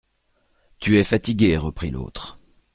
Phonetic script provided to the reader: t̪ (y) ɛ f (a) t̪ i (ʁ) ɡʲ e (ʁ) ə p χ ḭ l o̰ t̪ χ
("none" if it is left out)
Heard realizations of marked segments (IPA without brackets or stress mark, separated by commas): y, a, none, ʁ